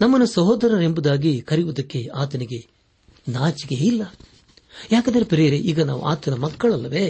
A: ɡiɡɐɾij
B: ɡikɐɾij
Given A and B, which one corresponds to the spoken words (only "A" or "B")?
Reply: B